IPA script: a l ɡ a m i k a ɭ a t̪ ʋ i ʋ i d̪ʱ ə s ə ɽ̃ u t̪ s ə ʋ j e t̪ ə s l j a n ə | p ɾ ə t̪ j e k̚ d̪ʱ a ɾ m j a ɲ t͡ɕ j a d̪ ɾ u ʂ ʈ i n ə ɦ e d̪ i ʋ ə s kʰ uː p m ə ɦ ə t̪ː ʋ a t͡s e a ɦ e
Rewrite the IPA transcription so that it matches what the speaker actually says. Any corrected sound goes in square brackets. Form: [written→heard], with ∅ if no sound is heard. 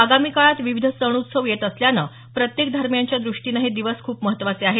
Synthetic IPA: a [l→∅] ɡ a m i k a ɭ a t̪ ʋ i ʋ i d̪ʱ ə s ə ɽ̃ u t̪ s ə ʋ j e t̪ ə s l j a n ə | p ɾ ə t̪ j e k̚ d̪ʱ a ɾ m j a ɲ t͡ɕ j a d̪ ɾ u ʂ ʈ i n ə ɦ e d̪ i ʋ ə s kʰ uː p m ə ɦ ə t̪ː ʋ a t͡s e a ɦ e